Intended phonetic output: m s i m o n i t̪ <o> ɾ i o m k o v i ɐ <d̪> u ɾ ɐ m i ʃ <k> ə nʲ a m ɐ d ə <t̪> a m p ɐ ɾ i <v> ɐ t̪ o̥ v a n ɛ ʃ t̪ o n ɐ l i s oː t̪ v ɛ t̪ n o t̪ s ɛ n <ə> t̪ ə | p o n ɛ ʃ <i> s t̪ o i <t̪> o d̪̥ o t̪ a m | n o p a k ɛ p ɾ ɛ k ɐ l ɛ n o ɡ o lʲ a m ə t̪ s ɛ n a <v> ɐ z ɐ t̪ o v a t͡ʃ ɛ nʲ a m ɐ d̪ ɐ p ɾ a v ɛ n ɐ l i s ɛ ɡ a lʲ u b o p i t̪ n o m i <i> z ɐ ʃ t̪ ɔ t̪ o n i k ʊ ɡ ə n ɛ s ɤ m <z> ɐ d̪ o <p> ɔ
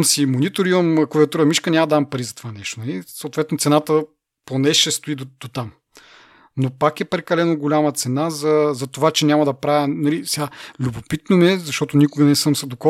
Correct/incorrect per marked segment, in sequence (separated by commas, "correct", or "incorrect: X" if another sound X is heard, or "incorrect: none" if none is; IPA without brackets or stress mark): correct, incorrect: t̪, correct, incorrect: d̪, incorrect: z, incorrect: a, incorrect: ɛ, incorrect: d̪, incorrect: z, incorrect: ɛ, incorrect: s, incorrect: k